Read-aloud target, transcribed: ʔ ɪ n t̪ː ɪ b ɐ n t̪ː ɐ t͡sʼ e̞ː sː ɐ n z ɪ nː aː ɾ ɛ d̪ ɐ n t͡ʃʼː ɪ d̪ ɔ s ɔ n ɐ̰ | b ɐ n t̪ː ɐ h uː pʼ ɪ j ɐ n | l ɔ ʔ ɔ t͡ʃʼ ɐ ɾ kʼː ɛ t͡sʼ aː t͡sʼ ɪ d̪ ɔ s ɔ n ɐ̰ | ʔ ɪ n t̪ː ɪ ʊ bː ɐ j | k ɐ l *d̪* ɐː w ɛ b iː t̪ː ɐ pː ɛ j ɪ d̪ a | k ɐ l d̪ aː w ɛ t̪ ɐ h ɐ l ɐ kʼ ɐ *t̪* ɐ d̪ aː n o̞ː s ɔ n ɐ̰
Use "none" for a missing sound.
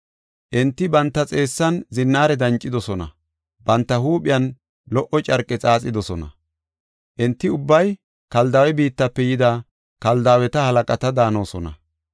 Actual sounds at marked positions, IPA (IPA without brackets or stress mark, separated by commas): d̪, t̪